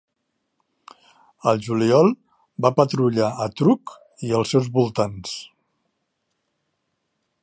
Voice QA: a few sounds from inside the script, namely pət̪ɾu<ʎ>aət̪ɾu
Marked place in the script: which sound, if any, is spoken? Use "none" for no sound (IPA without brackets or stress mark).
ʎ